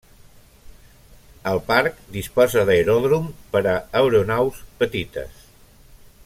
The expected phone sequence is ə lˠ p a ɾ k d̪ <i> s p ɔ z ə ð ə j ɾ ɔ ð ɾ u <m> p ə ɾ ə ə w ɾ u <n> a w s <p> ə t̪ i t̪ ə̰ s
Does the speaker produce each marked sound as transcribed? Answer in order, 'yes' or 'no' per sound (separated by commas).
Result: yes, yes, yes, yes